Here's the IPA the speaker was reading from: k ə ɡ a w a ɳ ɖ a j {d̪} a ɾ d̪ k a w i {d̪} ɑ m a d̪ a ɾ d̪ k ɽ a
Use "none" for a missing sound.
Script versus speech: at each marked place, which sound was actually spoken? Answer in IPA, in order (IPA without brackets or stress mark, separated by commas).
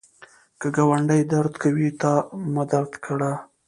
d̪, t̪